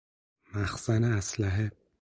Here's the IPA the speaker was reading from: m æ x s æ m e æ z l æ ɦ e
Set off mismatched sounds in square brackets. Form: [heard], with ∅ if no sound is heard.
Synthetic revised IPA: m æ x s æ [n] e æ [s] l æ ɦ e